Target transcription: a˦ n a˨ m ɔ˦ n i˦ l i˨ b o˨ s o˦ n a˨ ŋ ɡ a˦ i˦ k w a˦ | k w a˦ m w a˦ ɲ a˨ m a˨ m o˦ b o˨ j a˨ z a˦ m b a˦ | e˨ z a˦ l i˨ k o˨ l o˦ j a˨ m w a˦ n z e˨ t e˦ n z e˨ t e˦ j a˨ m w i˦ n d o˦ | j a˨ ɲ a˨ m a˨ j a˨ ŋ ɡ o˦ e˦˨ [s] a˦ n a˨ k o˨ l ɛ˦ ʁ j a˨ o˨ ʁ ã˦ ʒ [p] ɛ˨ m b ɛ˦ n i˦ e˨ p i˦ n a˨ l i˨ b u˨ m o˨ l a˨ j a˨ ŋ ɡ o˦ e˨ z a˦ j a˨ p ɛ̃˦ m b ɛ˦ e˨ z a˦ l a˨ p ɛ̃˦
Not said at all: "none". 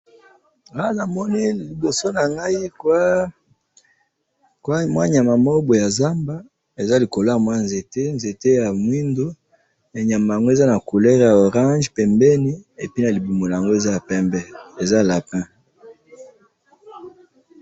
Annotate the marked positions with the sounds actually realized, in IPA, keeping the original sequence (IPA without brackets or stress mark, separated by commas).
z, p